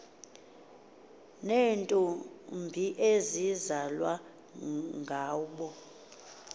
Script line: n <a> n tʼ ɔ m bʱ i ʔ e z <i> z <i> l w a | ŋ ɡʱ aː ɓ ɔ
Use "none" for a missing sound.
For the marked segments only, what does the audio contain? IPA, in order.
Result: e, i, a

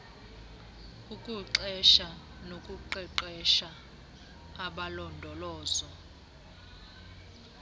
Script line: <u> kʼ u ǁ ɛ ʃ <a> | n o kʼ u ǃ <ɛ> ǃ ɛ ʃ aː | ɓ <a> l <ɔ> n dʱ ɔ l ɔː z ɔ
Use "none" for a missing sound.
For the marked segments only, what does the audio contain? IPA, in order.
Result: u, a, ɛ, a, ɔ

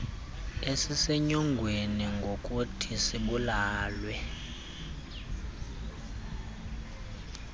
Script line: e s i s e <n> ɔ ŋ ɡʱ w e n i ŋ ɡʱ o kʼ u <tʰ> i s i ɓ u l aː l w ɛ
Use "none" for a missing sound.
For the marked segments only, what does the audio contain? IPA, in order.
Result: ɲ, tʰ

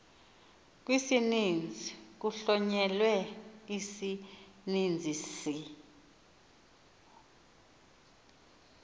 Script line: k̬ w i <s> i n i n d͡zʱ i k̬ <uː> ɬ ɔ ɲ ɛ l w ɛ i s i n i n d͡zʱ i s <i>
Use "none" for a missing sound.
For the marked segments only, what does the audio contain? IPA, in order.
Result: s, u, i

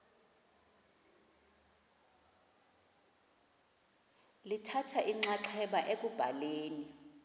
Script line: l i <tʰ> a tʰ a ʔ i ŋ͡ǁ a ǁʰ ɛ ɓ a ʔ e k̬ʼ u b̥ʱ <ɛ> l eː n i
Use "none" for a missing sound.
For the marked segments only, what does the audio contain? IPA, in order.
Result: tʰ, a

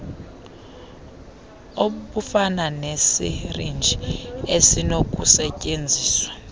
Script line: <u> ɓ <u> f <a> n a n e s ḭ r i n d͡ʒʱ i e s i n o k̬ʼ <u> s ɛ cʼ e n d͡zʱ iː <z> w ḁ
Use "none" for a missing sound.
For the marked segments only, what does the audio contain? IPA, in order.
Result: o, u, a, u, s

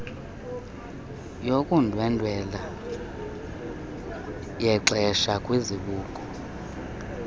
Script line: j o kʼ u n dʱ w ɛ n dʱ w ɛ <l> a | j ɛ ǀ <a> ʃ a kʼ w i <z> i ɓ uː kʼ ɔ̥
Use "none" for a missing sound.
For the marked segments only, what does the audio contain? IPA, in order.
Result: l, ɛ, z

